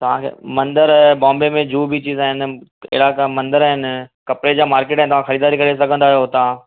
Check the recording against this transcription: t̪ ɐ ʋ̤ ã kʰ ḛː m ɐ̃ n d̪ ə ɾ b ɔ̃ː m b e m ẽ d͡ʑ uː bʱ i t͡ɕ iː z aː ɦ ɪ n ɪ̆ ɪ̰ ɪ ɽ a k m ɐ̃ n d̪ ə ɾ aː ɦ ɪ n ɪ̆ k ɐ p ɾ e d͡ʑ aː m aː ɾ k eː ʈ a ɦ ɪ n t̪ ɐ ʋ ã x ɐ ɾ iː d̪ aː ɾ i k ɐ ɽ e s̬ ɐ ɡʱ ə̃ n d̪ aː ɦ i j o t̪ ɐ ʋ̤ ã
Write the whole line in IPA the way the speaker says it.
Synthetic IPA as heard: t̪ ɐ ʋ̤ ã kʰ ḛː m ɐ̃ n d̪ ə ɾ b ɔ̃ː m b e m ẽ d͡ʑ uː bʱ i t͡ɕ iː z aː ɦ ɪ n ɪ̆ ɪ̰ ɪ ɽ a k m ɐ̃ n d̪ ə ɾ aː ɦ ɪ n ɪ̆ k ɐ p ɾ e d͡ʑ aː m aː ɾ k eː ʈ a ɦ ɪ n t̪ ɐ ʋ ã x ɐ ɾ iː d̪ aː ɾ i k ɐ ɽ e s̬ ɐ ɡʱ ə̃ n d̪ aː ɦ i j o t̪ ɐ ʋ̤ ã